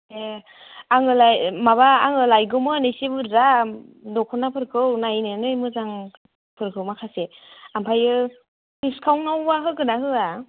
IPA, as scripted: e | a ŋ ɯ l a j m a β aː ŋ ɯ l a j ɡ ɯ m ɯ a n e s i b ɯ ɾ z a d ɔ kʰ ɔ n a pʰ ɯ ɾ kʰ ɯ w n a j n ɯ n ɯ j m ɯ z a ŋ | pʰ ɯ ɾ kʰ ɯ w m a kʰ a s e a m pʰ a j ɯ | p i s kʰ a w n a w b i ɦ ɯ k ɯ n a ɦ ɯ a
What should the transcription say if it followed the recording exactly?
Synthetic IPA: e | a ŋ ɯ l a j m a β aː ŋ ɯ l a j ɡ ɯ m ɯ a n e s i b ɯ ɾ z a d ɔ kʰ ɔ n a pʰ ɯ ɾ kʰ ɯ w n a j n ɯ n ɯ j m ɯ z a ŋ | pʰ ɯ ɾ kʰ ɯ w m a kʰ a s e a m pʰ a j ɯ | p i s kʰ a w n a w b a ɦ ɯ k ɯ n a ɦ ɯ a